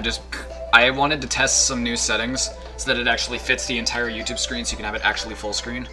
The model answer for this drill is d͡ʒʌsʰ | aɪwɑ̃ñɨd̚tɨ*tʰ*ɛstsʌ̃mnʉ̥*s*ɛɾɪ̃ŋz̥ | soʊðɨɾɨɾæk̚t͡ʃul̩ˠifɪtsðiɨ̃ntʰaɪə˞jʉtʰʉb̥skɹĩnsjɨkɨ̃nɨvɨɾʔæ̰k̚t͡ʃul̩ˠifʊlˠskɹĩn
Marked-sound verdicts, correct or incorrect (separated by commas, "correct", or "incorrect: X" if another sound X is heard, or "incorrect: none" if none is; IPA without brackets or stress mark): correct, correct